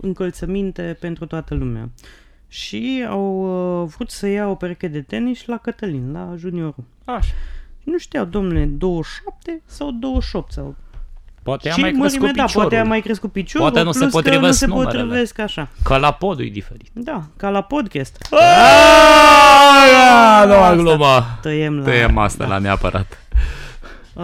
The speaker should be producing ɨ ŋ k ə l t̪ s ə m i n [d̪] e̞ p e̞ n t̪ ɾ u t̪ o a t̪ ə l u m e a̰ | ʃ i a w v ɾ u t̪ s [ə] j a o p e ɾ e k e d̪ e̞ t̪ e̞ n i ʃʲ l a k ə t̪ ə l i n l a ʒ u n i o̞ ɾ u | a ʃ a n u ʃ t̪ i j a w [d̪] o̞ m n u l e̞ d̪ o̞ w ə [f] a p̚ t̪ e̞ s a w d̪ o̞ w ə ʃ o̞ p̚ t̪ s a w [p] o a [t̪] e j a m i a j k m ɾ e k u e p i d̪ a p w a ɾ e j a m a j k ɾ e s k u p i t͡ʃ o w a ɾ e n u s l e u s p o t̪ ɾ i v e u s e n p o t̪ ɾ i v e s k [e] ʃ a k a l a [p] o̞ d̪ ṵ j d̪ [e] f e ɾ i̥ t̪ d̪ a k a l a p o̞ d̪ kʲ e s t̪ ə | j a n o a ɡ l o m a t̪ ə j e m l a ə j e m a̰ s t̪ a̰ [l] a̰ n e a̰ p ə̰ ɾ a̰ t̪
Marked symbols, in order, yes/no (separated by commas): no, yes, yes, no, yes, yes, no, yes, no, yes